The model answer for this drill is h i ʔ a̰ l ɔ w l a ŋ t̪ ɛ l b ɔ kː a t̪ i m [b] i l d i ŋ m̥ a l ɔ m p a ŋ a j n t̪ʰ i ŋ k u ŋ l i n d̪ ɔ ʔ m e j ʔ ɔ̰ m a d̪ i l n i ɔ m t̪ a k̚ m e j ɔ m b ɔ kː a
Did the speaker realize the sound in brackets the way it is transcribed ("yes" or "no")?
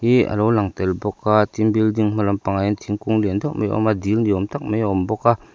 yes